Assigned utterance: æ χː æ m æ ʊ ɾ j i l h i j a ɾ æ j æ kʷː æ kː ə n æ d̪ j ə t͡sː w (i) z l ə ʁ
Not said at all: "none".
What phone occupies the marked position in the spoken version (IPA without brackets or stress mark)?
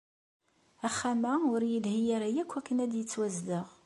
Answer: æ